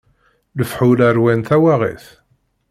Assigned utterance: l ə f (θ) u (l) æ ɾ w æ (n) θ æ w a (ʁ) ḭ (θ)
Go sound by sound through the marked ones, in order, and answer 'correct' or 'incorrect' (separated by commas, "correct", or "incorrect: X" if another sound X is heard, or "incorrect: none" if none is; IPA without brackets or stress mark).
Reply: incorrect: ħ, correct, correct, correct, correct